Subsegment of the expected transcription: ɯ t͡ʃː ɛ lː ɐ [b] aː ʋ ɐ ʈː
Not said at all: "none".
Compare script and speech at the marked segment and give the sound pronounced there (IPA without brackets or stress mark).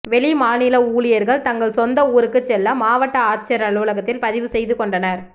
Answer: m